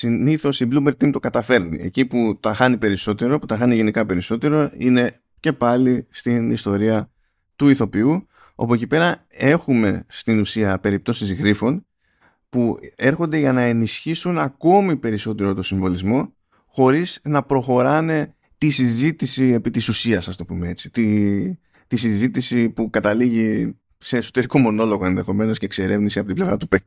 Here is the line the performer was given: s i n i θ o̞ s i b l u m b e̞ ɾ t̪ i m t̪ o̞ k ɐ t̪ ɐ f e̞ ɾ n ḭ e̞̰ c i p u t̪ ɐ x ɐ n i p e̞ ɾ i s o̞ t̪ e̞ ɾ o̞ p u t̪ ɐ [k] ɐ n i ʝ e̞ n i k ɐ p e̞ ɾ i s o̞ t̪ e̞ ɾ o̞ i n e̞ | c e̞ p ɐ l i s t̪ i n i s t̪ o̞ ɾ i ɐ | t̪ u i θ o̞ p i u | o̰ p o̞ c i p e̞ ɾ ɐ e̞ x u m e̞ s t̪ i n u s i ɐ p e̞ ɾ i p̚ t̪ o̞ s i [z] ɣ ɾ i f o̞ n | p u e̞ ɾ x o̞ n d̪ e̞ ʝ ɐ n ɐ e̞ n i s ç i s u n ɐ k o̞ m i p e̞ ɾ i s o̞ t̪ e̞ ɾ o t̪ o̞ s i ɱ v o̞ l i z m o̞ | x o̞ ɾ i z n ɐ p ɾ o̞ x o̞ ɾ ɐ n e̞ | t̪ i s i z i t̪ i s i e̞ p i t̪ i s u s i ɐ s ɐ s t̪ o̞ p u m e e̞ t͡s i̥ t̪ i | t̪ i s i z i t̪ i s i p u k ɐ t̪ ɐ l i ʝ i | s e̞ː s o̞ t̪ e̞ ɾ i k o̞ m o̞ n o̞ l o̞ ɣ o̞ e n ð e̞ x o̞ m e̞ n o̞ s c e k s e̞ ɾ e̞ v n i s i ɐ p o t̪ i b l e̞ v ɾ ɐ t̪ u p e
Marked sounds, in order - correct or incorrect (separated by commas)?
incorrect, correct